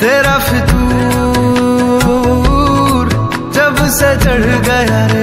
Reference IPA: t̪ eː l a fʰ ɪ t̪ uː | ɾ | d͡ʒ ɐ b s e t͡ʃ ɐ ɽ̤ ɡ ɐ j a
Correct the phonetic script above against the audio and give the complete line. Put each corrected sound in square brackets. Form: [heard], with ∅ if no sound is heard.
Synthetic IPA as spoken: t̪ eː [ɾ] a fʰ ɪ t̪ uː | ɾ | d͡ʒ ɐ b s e t͡ʃ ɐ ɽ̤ ɡ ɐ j a